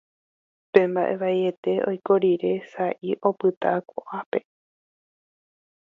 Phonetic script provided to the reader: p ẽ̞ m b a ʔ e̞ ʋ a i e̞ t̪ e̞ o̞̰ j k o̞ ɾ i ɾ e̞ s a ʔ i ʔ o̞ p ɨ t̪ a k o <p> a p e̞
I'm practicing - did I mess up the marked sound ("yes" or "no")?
yes